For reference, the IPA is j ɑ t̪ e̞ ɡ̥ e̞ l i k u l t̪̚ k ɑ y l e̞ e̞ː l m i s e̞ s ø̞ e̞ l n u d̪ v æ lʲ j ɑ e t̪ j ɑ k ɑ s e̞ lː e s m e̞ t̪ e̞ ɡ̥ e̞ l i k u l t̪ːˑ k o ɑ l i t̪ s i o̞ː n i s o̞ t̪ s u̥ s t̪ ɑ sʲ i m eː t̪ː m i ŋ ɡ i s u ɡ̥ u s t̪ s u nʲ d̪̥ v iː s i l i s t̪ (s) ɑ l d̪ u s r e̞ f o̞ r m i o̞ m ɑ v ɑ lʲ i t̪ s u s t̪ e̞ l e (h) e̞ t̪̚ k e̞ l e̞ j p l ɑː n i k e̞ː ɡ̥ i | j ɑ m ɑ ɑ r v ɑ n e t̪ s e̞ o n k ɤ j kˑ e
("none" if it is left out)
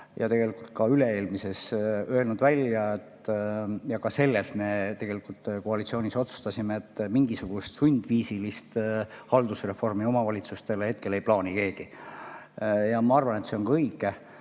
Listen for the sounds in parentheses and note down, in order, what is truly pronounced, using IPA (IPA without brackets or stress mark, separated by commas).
h, h